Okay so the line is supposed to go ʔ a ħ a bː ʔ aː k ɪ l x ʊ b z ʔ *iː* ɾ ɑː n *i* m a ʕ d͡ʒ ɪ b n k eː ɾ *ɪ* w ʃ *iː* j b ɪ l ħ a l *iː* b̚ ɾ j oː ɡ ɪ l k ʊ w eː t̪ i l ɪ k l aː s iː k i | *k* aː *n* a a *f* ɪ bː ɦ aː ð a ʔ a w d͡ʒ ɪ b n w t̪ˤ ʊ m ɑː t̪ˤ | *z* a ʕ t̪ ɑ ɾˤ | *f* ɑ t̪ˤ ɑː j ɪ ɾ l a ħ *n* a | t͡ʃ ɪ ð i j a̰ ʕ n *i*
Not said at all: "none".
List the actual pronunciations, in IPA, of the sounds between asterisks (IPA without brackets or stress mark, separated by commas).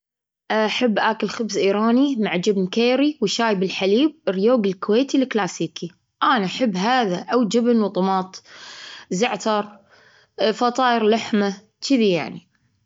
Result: iː, i, i, aː, iː, ʔ, n, ħ, z, f, m, i